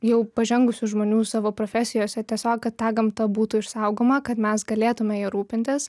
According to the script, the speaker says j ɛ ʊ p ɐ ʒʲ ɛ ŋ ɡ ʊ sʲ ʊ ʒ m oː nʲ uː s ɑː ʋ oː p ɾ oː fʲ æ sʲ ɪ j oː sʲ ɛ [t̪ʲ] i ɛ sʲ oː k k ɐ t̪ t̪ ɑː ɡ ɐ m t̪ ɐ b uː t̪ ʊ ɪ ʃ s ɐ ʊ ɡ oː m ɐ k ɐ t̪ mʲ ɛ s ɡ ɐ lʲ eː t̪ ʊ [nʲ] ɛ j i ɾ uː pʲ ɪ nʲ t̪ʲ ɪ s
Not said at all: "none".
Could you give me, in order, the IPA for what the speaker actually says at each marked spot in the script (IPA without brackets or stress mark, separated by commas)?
t̪ʲ, mʲ